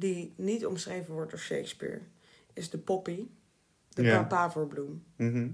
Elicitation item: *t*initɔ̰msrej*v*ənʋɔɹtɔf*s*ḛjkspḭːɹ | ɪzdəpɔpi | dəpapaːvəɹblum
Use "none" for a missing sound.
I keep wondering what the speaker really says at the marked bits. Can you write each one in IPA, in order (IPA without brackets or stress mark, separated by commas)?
d, v, ʃ